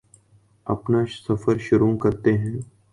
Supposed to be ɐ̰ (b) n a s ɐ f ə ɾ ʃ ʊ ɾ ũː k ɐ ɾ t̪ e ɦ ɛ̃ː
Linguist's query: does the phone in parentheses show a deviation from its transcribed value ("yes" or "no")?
yes